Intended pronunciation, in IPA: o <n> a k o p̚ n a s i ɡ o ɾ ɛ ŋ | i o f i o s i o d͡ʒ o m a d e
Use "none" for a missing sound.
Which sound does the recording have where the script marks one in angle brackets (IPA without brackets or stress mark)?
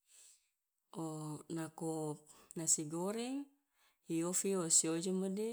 n